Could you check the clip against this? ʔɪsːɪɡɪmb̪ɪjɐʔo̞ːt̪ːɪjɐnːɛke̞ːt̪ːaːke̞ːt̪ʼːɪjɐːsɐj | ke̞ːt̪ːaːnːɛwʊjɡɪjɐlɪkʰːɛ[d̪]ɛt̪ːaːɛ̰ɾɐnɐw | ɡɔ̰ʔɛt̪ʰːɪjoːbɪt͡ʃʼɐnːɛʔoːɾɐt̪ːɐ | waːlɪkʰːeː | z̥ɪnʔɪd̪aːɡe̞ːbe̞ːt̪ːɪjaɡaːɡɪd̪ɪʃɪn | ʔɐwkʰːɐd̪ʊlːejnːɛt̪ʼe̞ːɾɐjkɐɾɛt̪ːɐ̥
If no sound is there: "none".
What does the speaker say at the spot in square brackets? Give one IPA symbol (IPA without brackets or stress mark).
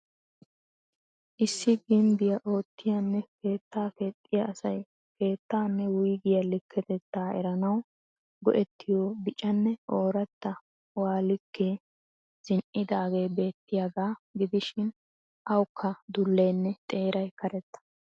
t̪